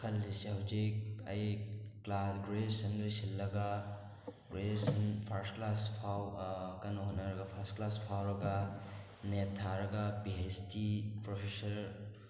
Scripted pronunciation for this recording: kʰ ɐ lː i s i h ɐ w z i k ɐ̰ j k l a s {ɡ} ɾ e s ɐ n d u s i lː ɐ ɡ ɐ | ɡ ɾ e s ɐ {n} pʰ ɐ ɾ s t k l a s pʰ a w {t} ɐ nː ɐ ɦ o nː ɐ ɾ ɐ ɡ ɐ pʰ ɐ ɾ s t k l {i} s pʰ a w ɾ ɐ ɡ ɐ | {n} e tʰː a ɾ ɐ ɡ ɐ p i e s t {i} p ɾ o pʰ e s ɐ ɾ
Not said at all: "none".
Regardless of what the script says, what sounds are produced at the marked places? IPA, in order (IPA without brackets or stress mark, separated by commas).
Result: ɡ, n, k, a, n, i